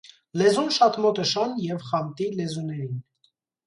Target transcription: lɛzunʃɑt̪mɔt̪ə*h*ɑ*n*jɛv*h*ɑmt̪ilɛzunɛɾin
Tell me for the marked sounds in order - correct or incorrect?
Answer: incorrect: ʃ, correct, incorrect: χ

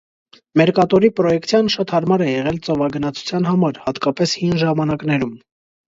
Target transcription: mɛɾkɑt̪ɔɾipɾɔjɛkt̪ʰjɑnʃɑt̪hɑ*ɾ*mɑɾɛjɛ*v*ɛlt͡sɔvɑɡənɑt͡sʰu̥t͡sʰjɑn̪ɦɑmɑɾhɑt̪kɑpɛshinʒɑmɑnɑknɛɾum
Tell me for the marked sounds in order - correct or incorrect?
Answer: correct, incorrect: ʁ

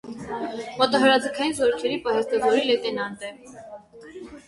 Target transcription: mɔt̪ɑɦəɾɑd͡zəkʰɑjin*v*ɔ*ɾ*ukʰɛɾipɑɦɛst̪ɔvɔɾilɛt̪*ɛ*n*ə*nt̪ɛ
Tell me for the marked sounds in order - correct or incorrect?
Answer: incorrect: z, correct, correct, incorrect: ɑ

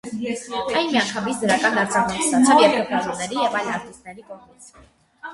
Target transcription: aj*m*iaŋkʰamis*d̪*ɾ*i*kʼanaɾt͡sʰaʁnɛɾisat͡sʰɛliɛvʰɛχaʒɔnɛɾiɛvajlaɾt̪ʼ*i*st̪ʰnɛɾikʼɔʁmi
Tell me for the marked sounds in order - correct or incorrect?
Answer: correct, correct, incorrect: a, correct

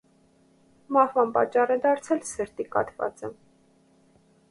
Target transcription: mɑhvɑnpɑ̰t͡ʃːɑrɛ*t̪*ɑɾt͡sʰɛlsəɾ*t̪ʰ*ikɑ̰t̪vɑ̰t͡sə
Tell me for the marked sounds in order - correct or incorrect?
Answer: incorrect: d̪, incorrect: t̪

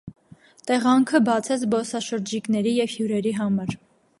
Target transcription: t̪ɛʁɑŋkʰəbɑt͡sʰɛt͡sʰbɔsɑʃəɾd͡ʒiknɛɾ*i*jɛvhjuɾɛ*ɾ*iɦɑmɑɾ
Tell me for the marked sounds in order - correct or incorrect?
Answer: correct, correct

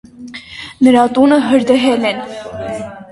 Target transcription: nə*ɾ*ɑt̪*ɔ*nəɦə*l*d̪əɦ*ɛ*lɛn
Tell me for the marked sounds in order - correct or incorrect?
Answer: correct, incorrect: u, incorrect: ɾ, correct

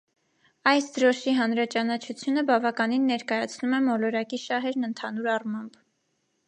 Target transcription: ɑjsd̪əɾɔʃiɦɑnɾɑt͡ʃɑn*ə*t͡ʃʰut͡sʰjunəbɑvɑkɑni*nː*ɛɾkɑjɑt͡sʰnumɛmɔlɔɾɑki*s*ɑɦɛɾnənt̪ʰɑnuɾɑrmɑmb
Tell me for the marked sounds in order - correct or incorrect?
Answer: incorrect: ɑ, correct, incorrect: ʃ

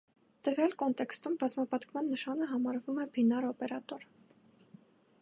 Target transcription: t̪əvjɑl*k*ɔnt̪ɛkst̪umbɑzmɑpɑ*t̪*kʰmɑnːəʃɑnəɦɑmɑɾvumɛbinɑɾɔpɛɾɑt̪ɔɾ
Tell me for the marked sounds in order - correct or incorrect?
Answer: correct, correct

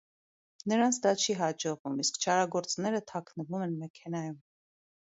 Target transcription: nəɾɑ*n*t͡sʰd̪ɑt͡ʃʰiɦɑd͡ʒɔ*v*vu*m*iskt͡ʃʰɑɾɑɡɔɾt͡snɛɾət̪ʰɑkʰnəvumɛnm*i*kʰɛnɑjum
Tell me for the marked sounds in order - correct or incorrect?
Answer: correct, incorrect: ʁ, correct, incorrect: ɛ

